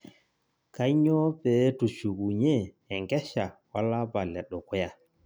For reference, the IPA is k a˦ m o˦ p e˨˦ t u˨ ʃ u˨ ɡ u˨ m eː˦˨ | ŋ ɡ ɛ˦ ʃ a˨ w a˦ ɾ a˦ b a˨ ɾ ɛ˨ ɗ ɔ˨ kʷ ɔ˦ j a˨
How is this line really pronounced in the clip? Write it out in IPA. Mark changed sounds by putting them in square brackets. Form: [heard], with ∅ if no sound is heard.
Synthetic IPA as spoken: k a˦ [ɲ] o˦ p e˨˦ t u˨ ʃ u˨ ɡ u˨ [ɲ] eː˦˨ | ŋ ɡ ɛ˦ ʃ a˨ w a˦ [l] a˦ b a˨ [l] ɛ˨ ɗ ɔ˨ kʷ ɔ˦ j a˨